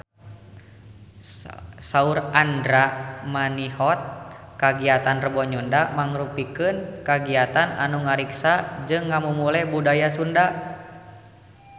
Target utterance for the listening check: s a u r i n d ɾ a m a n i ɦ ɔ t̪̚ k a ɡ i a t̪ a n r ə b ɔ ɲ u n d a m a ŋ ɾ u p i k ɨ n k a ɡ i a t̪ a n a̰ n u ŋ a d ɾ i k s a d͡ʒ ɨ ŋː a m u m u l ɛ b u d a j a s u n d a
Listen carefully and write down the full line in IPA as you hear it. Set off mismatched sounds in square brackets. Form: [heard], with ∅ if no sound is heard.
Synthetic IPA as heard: s a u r [a] n d ɾ a m a n i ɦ ɔ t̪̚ k a ɡ i a t̪ a n r ə b ɔ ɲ u n d a m a ŋ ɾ u p i k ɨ n k a ɡ i a t̪ a n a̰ n u ŋ a [∅] ɾ i k s a d͡ʒ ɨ ŋː a m u m u l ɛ b u d a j a s u n d a